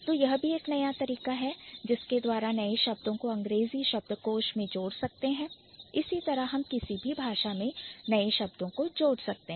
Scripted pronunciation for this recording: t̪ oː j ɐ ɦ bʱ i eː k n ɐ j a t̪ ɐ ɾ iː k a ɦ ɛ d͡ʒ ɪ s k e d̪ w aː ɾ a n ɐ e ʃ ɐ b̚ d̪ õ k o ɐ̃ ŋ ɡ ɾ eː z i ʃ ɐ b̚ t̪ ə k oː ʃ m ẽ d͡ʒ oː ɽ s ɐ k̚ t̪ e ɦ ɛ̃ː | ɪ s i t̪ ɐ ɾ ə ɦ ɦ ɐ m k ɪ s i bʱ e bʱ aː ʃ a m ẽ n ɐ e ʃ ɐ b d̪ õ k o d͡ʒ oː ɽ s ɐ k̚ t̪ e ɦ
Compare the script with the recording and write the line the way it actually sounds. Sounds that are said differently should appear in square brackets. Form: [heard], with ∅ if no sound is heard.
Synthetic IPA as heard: t̪ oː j ɐ ɦ bʱ i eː k n ɐ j a t̪ ɐ ɾ iː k a ɦ ɛ d͡ʒ ɪ s k e d̪ w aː ɾ a n ɐ e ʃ ɐ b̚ d̪ õ k o ɐ̃ ŋ ɡ ɾ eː z i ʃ ɐ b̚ [d̪] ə k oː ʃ m ẽ d͡ʒ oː ɽ s ɐ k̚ t̪ e ɦ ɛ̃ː | ɪ s i t̪ ɐ ɾ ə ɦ ɦ ɐ m k ɪ s i bʱ [i] bʱ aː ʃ a m ẽ n ɐ e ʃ ɐ b d̪ õ k o d͡ʒ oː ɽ s ɐ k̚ t̪ e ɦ